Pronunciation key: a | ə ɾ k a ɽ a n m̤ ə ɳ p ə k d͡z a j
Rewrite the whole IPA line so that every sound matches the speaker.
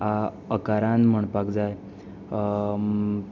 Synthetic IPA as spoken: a | ə k a ɾ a n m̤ ə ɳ p a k d͡z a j